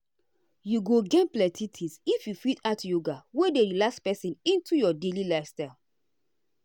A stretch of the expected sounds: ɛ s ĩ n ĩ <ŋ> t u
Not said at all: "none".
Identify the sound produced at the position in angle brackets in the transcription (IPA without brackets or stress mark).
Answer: n